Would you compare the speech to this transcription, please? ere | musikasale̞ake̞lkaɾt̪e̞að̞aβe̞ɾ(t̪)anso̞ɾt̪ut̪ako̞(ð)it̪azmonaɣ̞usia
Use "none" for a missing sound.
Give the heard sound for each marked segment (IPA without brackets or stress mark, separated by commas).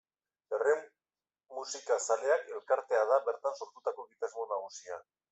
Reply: t̪, ɣ